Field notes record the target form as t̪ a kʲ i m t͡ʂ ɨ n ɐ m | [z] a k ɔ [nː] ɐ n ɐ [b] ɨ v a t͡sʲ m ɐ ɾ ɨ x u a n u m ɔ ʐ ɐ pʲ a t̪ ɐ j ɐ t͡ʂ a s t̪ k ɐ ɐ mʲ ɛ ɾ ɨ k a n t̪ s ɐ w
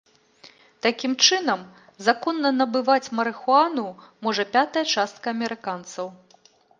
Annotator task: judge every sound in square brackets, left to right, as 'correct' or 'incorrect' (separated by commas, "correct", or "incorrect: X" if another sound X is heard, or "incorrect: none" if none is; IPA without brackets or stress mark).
correct, correct, correct